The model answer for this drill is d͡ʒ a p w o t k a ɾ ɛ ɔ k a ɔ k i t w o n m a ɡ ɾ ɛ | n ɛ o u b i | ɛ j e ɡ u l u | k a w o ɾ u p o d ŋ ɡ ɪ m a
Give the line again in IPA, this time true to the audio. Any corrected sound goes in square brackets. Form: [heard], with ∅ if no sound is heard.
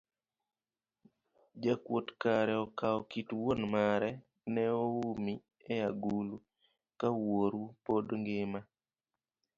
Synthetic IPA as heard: d͡ʒ a [k] w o t k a ɾ ɛ ɔ k a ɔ k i t w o n m a [∅] ɾ ɛ | n ɛ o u [m] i | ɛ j [a] ɡ u l u | k a w o ɾ u p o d ŋ ɡ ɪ m a

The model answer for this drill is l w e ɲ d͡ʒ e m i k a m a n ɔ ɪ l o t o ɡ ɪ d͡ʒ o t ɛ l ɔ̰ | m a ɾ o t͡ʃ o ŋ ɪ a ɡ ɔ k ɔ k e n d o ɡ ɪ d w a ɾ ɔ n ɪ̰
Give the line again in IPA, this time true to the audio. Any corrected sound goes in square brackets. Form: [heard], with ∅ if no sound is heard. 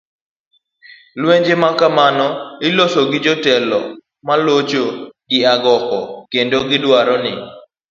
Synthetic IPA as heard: l w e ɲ d͡ʒ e m [a] k a m a n ɔ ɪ l o [s] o ɡ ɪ d͡ʒ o t ɛ l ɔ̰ | m a [l] o t͡ʃ o [ɡ] ɪ a ɡ ɔ k ɔ k e n d o ɡ ɪ d w a ɾ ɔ n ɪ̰

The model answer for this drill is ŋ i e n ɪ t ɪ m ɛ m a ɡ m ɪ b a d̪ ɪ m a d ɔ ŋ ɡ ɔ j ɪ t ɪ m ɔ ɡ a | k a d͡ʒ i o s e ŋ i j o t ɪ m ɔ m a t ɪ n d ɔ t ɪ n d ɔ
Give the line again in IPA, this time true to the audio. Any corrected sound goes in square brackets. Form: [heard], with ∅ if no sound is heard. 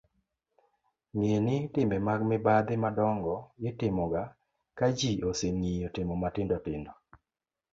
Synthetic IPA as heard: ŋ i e n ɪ t ɪ m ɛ m a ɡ m ɪ b a d̪ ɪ m a d ɔ ŋ ɡ ɔ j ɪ t ɪ m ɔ ɡ a | k a d͡ʒ i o s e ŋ i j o t ɪ m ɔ m a t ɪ n d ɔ t ɪ n d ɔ

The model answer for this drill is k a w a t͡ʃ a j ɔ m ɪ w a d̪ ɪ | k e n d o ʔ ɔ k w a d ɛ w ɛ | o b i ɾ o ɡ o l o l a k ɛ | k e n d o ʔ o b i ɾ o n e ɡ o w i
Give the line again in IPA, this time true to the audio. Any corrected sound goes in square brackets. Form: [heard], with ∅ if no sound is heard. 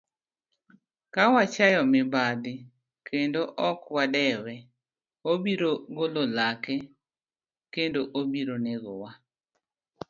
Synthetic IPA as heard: k a w a t͡ʃ a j ɔ m ɪ [b] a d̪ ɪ | k e n d o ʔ ɔ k w a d ɛ w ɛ | o b i ɾ o ɡ o l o l a k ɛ | k e n d o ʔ o b i ɾ o n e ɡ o w [a]

